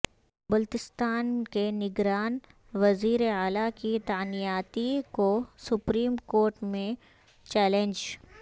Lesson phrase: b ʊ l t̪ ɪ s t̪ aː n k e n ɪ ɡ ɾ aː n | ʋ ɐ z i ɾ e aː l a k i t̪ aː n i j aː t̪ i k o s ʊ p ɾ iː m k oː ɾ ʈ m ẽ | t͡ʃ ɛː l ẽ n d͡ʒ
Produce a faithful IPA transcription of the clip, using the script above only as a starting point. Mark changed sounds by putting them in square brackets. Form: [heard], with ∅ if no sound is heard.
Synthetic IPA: b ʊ l t̪ ɪ s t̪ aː n k e n ɪ ɡ ɾ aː n | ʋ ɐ z [iː] ɾ e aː l a k i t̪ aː n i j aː t̪ i k o s ʊ p ɾ iː m k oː ɾ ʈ m ẽ | t͡ʃ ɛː l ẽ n d͡ʒ